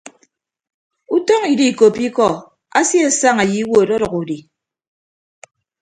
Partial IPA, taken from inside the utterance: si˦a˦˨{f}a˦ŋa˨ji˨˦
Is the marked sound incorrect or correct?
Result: incorrect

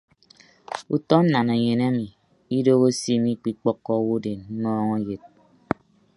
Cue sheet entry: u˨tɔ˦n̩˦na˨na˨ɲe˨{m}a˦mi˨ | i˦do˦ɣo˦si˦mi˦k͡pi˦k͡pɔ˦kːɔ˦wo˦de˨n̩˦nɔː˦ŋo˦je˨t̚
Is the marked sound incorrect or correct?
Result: incorrect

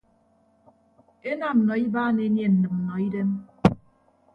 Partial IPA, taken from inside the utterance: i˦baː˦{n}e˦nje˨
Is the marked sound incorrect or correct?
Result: correct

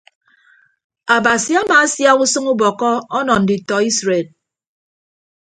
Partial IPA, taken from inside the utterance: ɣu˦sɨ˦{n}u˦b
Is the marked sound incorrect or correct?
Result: incorrect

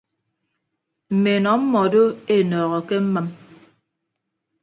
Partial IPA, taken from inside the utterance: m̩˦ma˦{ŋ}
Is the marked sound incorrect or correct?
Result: incorrect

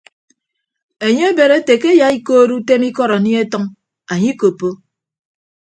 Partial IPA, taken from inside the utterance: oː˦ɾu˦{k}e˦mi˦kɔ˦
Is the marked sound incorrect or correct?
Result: incorrect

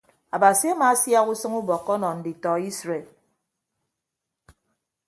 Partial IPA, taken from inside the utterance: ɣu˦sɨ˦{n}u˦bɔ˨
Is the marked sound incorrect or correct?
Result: incorrect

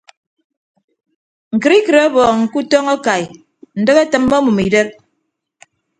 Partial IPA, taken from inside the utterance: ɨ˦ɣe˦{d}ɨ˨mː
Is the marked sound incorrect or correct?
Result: incorrect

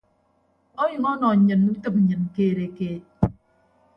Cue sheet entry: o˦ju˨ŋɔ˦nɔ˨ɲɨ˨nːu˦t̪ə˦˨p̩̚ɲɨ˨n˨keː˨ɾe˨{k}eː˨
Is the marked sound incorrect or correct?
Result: correct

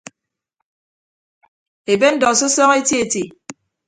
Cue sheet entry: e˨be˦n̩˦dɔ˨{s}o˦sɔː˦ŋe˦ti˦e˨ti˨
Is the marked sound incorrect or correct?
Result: correct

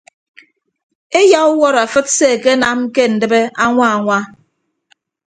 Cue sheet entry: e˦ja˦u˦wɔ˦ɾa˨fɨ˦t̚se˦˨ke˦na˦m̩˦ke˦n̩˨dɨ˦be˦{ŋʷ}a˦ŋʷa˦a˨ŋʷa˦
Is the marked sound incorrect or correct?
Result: incorrect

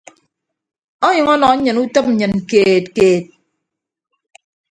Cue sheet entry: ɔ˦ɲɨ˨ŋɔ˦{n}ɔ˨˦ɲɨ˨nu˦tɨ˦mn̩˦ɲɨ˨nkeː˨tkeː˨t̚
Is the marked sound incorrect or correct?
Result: correct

